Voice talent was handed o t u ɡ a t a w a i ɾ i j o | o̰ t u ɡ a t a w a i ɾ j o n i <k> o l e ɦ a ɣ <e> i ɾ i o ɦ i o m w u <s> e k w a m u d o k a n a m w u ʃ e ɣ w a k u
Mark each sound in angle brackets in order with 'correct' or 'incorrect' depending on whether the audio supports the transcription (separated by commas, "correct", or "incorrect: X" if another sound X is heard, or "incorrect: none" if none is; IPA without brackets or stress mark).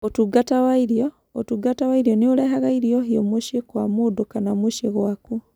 incorrect: none, incorrect: a, incorrect: ʃ